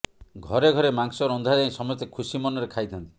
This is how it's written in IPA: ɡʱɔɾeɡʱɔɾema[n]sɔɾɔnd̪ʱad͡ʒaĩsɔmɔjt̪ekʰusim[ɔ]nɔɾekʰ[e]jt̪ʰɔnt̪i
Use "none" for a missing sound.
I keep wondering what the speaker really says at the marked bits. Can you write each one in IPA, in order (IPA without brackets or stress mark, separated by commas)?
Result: ŋ, ɔ, a